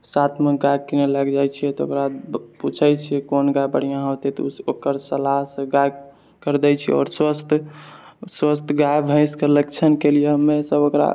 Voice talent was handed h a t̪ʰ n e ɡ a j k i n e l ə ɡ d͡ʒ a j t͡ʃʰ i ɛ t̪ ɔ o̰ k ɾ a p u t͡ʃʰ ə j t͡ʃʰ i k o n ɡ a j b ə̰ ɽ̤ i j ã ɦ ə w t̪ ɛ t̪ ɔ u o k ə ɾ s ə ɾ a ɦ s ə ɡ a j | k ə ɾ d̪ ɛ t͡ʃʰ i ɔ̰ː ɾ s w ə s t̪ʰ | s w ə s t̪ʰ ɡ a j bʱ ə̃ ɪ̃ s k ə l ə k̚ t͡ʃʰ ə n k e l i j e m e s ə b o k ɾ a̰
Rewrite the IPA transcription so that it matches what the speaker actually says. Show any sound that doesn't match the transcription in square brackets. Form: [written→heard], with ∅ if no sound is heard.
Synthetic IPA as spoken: [h→s] a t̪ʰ [n→m] e ɡ a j k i n e l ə ɡ d͡ʒ a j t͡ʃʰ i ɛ t̪ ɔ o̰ k ɾ a p u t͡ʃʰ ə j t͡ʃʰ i k o n ɡ a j b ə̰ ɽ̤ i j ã ɦ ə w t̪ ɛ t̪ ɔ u o k ə ɾ s ə [ɾ→l] a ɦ s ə ɡ a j | k ə ɾ d̪ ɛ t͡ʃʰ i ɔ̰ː ɾ s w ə s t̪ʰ | s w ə s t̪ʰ ɡ a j bʱ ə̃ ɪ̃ s k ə l ə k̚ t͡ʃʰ ə n k e l i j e m e s ə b o k ɾ a̰